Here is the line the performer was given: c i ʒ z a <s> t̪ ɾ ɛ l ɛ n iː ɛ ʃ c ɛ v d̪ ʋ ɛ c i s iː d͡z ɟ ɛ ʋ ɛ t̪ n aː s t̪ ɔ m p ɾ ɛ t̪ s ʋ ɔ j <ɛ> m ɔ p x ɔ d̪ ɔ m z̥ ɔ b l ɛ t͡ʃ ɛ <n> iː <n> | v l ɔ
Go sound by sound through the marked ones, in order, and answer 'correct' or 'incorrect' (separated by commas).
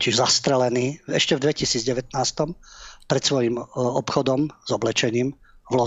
correct, incorrect, incorrect, incorrect